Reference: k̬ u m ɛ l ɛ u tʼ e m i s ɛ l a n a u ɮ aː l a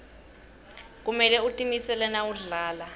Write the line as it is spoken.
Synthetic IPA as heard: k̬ u m ɛ l ɛ u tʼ i m i s ɛ l ɛ n a u ɮ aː l a